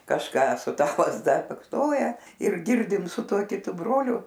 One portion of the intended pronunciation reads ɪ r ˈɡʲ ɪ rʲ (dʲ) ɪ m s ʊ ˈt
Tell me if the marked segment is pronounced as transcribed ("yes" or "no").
yes